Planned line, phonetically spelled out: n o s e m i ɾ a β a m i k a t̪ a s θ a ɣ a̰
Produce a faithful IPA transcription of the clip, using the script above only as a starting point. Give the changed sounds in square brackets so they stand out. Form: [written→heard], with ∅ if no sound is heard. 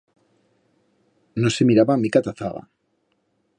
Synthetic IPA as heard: n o s e m i ɾ a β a m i k a t̪ a [s→∅] θ a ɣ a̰